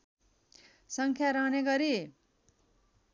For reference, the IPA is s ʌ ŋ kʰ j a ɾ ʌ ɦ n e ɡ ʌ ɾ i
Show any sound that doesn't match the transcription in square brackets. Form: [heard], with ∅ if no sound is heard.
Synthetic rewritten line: s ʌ ŋ kʰ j a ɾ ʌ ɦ n e ɡ ʌ ɾ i